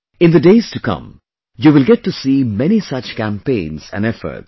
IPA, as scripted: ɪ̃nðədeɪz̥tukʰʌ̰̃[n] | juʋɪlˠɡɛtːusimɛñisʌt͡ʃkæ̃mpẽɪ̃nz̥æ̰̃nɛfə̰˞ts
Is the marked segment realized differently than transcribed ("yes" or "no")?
yes